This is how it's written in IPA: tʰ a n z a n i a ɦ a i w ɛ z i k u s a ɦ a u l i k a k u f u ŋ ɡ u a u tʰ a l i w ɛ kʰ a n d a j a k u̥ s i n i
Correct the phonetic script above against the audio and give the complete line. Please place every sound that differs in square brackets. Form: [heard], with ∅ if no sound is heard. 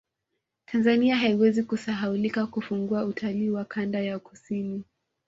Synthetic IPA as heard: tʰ a n z a n i a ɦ a i w ɛ z i k u s a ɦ a u l i k a k u f u ŋ ɡ u a u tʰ a l [iː] w [a] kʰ a n d a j a k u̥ s i n i